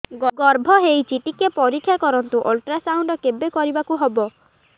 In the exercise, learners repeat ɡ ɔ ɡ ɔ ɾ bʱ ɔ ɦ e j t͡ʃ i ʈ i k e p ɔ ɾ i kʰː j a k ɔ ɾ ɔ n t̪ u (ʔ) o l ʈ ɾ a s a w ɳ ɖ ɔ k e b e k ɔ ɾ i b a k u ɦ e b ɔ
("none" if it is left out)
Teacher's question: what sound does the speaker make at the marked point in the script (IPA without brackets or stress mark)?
ʔ